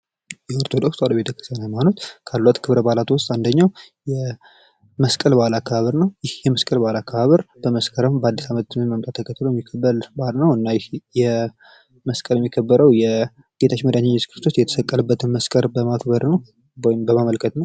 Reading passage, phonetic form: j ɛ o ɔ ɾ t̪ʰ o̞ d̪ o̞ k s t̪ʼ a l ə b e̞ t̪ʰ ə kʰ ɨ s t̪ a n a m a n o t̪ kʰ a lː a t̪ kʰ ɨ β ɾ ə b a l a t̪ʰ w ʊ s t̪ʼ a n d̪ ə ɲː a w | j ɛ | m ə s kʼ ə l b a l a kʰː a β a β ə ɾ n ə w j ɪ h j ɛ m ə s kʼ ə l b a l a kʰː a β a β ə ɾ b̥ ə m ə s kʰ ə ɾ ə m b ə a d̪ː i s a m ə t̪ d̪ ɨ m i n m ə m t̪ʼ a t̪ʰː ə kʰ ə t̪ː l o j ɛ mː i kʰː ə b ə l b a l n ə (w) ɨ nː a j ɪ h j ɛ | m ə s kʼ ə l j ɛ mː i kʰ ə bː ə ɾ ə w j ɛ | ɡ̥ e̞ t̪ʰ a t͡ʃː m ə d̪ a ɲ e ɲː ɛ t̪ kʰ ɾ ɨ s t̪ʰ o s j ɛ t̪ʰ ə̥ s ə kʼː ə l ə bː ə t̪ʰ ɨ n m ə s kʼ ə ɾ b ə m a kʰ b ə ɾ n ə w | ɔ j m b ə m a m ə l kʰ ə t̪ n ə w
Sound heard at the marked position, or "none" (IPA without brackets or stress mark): w